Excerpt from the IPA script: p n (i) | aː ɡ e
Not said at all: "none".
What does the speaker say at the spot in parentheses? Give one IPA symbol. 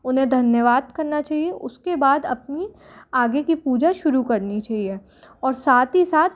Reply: i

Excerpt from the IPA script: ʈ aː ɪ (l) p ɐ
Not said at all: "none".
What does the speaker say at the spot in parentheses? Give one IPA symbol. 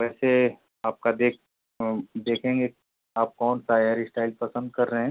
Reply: l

